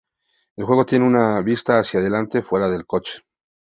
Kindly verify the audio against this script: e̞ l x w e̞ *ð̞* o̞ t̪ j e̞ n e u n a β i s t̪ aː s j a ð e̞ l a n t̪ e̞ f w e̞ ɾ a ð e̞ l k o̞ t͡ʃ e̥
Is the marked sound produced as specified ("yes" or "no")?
no